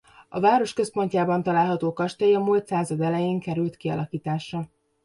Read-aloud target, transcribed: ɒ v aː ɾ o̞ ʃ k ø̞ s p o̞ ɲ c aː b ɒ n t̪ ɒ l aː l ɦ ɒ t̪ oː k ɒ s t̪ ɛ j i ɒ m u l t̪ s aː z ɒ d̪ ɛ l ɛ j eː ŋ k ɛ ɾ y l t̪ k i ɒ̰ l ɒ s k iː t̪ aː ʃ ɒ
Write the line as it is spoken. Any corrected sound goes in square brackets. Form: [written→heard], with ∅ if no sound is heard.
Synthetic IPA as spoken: ɒ v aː ɾ o̞ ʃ k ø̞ s p o̞ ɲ c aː b ɒ n t̪ ɒ l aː l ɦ ɒ t̪ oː k ɒ [s→ʃ] t̪ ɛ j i ɒ m u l t̪ s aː z ɒ d̪ ɛ l ɛ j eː ŋ k ɛ ɾ y l t̪ k i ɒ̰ l ɒ [s→∅] k iː t̪ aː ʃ ɒ